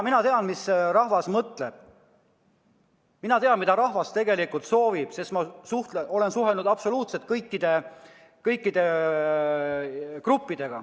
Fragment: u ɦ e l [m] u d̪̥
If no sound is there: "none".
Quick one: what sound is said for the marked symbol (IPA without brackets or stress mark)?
n